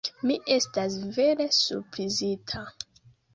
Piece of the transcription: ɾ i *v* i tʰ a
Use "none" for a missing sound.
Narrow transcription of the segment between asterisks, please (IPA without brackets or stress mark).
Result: z